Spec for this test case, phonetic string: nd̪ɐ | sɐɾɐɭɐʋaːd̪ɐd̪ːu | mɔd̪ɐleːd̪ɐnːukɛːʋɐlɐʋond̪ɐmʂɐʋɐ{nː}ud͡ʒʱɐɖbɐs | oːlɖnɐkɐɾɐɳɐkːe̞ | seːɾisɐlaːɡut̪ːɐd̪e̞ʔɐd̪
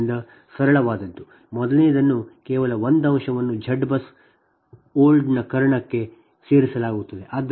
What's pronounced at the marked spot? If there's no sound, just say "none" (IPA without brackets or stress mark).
nː